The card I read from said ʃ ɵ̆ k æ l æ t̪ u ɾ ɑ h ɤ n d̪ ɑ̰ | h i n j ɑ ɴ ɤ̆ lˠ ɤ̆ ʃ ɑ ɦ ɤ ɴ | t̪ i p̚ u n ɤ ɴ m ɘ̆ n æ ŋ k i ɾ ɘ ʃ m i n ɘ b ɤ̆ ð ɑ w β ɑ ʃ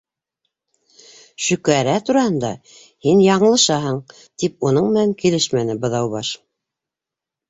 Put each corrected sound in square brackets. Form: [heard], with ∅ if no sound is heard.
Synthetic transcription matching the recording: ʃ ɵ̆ k æ [ɾ] æ t̪ u ɾ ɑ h ɤ n d̪ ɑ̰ | h i n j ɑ ɴ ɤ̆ lˠ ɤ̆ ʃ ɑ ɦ ɤ ɴ | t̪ i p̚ u n ɤ ɴ m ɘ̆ n æ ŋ k i [l] ɘ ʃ m [æ] n ɘ b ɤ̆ ð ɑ w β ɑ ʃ